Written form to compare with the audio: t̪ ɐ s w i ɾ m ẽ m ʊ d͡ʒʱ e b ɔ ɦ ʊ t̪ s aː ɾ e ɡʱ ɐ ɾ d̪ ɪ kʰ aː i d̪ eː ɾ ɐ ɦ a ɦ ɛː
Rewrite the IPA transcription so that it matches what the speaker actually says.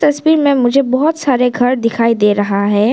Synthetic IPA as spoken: t̪ ɐ s w iː ɾ m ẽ m ʊ d͡ʒʱ e b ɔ ɦ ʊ t̪ s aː ɾ e ɡʱ ɐ ɾ d̪ ɪ kʰ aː i d̪ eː ɾ ɐ ɦ a ɦ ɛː